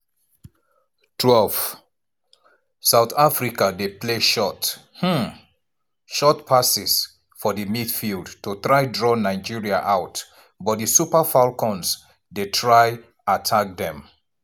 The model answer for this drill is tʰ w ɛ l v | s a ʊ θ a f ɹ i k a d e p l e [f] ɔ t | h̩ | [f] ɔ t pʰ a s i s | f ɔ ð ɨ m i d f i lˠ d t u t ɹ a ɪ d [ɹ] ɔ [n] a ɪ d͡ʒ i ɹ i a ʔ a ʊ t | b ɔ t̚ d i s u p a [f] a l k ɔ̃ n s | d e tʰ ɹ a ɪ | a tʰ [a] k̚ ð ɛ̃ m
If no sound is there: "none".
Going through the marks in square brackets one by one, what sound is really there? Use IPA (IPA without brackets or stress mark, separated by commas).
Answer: ʃ, ʃ, ɹ, n, f, a